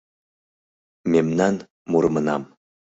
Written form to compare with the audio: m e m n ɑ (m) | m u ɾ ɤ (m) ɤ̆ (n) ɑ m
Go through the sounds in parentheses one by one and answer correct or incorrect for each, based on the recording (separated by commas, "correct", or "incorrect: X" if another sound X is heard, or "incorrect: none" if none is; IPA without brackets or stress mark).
incorrect: n, correct, correct